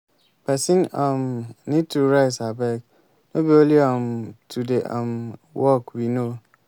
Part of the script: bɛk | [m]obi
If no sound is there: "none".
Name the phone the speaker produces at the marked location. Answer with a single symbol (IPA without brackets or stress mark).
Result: n